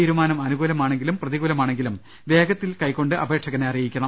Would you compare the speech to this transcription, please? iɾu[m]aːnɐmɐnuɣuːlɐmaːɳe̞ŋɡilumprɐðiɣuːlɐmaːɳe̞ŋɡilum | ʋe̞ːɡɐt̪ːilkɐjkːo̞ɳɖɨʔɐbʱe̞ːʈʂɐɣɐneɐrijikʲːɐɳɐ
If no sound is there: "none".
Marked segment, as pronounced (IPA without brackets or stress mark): m